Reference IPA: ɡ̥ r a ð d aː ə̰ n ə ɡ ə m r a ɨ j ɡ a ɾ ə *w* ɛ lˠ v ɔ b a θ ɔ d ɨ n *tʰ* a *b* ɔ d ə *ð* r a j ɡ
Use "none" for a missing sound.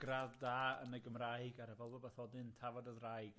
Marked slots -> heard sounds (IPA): v, tʰ, v, ð

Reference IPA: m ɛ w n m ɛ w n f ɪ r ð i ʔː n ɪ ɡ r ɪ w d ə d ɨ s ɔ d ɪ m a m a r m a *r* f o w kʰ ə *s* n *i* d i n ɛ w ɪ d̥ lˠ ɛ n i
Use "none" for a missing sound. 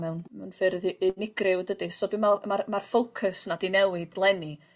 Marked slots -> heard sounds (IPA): r, s, a

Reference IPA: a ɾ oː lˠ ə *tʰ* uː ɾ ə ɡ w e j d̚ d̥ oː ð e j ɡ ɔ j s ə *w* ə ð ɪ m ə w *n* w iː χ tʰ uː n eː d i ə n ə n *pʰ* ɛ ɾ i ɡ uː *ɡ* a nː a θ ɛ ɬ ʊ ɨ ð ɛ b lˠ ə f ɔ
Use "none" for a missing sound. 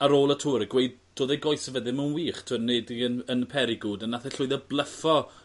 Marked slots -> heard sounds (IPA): tʰ, v, n, pʰ, d

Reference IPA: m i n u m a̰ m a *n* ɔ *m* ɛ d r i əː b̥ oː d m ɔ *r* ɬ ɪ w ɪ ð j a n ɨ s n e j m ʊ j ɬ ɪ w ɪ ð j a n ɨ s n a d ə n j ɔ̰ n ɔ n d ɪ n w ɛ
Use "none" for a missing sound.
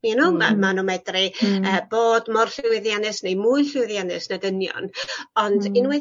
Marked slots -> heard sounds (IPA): n, m, r

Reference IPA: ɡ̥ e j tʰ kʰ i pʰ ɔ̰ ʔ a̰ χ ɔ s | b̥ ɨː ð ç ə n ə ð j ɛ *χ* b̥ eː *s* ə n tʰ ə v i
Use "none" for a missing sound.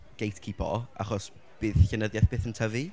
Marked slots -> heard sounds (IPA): θ, θ

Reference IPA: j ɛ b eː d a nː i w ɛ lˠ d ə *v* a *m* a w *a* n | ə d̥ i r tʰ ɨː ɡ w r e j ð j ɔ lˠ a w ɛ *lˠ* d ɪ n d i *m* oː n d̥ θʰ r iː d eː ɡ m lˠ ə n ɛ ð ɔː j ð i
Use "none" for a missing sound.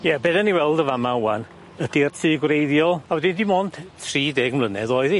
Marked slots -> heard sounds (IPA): v, m, a, none, m

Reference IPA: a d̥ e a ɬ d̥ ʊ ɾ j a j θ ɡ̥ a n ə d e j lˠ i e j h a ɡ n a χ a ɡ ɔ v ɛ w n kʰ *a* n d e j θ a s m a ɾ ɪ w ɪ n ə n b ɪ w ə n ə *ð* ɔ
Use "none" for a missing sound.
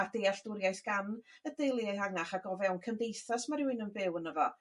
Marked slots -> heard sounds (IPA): ə, v

